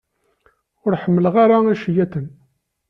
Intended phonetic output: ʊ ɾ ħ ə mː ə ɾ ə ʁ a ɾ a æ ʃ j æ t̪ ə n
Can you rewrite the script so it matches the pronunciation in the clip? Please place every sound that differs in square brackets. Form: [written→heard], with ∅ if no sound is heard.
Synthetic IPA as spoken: ʊ ɾ ħ ə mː ə [ɾ→l] ə ʁ a ɾ a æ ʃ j æ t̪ ə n

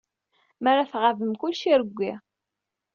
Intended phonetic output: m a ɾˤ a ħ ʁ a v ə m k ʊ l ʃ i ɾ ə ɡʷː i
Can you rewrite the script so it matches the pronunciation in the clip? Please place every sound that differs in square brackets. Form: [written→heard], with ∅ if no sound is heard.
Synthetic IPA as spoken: m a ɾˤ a [ħ→θ] ʁ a v ə m k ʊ l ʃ i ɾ ə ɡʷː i

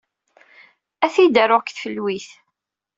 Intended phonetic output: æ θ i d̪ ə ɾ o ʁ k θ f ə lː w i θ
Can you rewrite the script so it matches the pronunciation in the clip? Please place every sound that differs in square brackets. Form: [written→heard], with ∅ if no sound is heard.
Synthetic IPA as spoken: æ θ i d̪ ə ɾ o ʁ k θ f ə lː w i θ

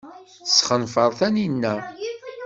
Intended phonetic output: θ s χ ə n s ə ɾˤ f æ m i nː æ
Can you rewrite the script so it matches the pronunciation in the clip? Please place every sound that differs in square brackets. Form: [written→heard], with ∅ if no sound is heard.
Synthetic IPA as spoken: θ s χ ə n [s→f] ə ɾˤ [f→θ] æ [m→n] i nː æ

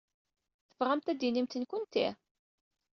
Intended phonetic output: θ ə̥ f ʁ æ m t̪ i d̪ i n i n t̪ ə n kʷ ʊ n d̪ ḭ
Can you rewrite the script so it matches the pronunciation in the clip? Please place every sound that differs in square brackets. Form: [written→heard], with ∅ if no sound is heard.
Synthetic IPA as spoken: θ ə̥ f ʁ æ m t̪ [i→æ] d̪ i n i [n→m] t̪ ə n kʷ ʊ n [d̪→t̪] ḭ

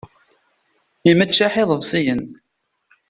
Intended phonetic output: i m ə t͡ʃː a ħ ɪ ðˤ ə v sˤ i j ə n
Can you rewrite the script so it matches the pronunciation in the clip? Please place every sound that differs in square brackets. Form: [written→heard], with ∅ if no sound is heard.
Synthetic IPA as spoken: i m ə t͡ʃː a ħ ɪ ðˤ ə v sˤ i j ə n

